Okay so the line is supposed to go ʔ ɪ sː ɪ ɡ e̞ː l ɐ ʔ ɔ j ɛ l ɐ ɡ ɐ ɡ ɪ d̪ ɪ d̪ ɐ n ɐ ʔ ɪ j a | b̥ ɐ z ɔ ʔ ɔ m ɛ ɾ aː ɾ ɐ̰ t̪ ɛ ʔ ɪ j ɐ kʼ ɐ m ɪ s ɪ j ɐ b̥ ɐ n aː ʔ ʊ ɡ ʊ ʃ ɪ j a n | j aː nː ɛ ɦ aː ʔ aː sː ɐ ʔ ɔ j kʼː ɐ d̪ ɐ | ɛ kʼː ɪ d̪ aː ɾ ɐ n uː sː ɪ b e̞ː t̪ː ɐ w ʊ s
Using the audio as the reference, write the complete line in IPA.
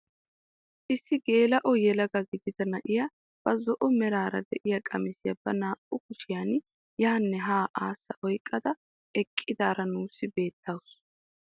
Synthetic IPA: ʔ ɪ sː ɪ ɡ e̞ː l ɐ ʔ ɔ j ɛ l ɐ ɡ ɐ ɡ ɪ d̪ ɪ d̪ ɐ n ɐ ʔ ɪ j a | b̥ ɐ z ɔ ʔ ɔ m ɛ ɾ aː ɾ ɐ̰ d̪ ɛ ʔ ɪ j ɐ kʼ ɐ m ɪ s ɪ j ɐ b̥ ɐ n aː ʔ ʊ k ʊ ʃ ɪ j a n | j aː nː ɛ ɦ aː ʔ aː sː ɐ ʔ ɔ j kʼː ɐ d̪ ɐ | ɛ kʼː ɪ d̪ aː ɾ ɐ n uː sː ɪ b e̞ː t̪ː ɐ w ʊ s

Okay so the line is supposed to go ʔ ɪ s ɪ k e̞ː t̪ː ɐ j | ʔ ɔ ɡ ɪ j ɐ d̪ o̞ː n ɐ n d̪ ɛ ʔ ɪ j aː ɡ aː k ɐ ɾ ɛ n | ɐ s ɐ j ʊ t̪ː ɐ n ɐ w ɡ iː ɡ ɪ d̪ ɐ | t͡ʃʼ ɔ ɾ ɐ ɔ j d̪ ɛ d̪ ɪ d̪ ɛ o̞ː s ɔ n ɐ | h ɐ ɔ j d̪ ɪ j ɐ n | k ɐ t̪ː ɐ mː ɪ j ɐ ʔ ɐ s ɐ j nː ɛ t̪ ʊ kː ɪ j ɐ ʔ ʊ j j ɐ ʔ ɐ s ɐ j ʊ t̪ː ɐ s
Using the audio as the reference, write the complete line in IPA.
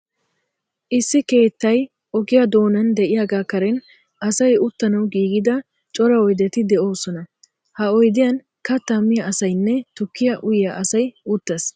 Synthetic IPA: ʔ ɪ sː ɪ k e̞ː t̪ː ɐ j | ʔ ɔ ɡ ɪ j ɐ d̪ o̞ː n ɐ n d̪ ɛ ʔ ɪ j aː ɡ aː k ɐ ɾ ɛ n | ɐ s ɐ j ʊ t̪ː ɐ n ɐ w ɡ iː ɡ ɪ d̪ ɐ | t͡ʃʼ ɔ ɾ ɐ ɔ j d̪ ɛ t̪ ɪ d̪ ɛ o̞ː s ɔ n ɐ | h ɐ ɔ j d̪ ɪ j ɐ n | k ɐ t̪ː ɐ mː ɪ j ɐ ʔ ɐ s ɐ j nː ɛ t̪ ʊ kː ɪ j ɐ ʔ ʊ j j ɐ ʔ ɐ s ɐ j ʊ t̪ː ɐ s

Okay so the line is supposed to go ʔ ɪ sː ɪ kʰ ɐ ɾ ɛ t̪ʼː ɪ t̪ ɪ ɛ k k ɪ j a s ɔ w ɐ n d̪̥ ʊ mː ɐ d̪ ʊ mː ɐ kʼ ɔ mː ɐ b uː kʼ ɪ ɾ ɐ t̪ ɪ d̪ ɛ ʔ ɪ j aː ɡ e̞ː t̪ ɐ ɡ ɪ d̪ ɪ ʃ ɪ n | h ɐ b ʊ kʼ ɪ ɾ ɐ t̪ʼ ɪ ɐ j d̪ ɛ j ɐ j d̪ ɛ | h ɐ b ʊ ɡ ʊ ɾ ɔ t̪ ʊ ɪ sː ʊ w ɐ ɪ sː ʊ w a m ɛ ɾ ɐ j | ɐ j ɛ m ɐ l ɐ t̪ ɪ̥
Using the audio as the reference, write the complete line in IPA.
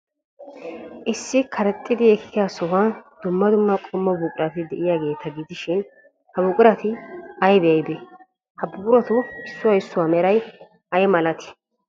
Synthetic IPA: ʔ ɪ sː ɪ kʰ ɐ ɾ ɛ t̪ʼː ɪ d̪ ɪ ɛ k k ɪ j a s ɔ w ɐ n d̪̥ ʊ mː ɐ d̪ ʊ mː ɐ kʼ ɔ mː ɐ b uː kʼ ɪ ɾ ɐ t̪ ɪ d̪ ɛ ʔ ɪ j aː ɡ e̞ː t̪ ɐ ɡ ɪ d̪ ɪ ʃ ɪ n | h ɐ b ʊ kʼ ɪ ɾ ɐ t̪ ɪ ɐ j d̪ ɛ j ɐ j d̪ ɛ | h ɐ b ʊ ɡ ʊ ɾ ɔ t̪ ʊ ɪ sː ʊ w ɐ ɪ sː ʊ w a m ɛ ɾ ɐ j | ɐ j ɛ m ɐ l ɐ t̪ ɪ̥

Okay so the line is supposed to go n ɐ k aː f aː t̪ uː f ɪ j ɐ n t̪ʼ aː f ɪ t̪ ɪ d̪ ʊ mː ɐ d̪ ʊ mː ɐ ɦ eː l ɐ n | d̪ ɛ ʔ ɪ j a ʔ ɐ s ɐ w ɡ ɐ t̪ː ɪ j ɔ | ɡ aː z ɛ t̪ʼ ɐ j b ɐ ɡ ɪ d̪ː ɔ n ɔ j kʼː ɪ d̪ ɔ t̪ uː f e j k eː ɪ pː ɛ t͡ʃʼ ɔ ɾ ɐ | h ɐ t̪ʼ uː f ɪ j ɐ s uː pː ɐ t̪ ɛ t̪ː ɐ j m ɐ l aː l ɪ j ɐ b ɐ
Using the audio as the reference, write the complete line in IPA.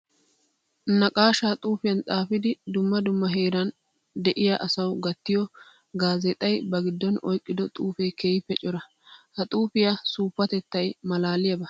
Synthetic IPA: n ɐ kʼ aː ʃ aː t̪ʼ uː f ɪ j ɐ n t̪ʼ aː f ɪ d̪ ɪ d̪ ʊ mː ɐ d̪ ʊ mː ɐ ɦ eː ɾ ɐ n | d̪ ɛ ʔ ɪ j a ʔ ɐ s ɐ w ɡ ɐ t̪ː ɪ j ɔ | ɡ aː z ɛ t̪ʼ ɐ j b ɐ ɡ ɪ d̪ː ɔ n ɔ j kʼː ɪ d̪ ɔ t̪ʼ uː f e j k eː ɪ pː ɛ t͡ʃʼ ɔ ɾ ɐ | h ɐ t̪ʼ uː f ɪ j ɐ s uː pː ɐ t̪ ɛ t̪ː ɐ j m ɐ l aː l ɪ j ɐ b ɐ

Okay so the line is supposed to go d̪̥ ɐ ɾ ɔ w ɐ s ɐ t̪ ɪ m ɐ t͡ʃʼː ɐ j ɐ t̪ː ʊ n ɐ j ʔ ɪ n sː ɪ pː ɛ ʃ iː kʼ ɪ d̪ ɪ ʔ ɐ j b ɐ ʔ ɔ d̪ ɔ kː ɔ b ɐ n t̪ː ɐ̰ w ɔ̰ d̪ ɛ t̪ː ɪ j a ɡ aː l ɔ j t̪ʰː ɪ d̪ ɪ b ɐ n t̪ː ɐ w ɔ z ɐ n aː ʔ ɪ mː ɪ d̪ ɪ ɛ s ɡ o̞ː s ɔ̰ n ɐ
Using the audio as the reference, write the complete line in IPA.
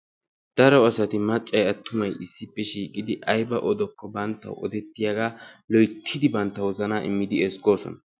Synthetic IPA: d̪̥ ɐ ɾ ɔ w ɐ s ɐ t̪ ɪ m ɐ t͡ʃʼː ɐ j ɐ t̪ː ʊ m ɐ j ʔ ɪ sː ɪ pː ɛ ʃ iː kʼ ɪ d̪ ɪ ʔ ɐ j b ɐ ʔ ɔ d̪ ɔ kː ɔ b ɐ n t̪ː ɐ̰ w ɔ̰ d̪ ɛ t̪ː ɪ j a ɡ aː l ɔ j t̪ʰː ɪ d̪ ɪ b ɐ n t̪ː ɐ w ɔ z ɐ n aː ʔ ɪ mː ɪ d̪ ɪ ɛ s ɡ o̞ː s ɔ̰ n ɐ

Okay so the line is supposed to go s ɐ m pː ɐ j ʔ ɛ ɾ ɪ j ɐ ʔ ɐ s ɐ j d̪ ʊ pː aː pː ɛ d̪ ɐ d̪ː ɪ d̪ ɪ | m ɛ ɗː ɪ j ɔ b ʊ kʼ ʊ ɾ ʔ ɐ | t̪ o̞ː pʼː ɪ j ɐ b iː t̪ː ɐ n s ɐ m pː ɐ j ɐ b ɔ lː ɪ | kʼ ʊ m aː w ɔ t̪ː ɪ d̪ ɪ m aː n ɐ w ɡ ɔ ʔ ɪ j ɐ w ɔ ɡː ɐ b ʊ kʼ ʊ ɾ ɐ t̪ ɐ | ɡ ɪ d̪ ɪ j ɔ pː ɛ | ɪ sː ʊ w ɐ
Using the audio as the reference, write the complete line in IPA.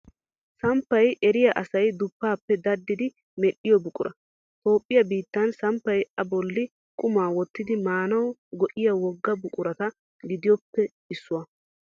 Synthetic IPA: s ɐ m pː ɐ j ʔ ɛ ɾ ɪ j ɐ ʔ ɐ s ɐ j d̪ ʊ pː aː pː ɛ d̪ ɐ d̪ː ɪ d̪ ɪ | m ɛ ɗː ɪ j ɔ b ʊ kʼ ʊ ɾ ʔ ɐ | t̪ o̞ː pʼː ɪ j ɐ b iː t̪ː ɐ n s ɐ m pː ɐ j ɐ b ɔ lː ɪ | kʼ ʊ m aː w ɔ t̪ː ɪ d̪ ɪ m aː n ɐ w ɡ ɔ ʔ ɪ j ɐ w ɔ ɡː ɐ b ʊ kʼ ʊ ɾ ɐ t̪ ɐ | ɡ ɪ d̪ ɪ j ɔ pː ɛ | ɪ sː ʊ w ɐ

